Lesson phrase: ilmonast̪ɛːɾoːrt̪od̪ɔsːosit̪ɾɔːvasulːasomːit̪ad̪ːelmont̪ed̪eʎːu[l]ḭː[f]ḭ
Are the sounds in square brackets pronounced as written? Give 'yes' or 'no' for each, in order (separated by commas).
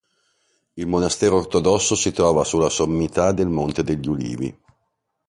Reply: yes, no